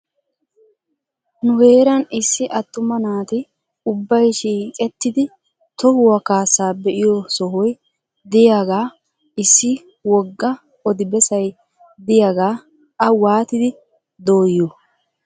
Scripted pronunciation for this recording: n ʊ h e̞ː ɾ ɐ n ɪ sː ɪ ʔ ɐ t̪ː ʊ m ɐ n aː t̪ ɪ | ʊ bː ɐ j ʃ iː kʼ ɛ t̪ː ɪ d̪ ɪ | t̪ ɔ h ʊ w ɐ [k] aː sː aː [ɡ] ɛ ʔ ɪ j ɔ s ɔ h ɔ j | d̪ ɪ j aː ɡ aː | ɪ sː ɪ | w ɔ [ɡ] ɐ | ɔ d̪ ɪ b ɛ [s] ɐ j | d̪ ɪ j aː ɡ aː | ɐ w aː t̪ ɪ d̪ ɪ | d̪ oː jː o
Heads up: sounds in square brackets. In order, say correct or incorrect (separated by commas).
correct, incorrect, incorrect, correct